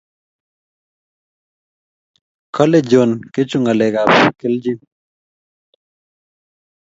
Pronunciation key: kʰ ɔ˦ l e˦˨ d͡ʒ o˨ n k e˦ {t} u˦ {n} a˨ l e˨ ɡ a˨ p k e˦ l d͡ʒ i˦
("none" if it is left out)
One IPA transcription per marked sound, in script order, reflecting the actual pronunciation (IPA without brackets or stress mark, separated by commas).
t͡ʃ, ŋ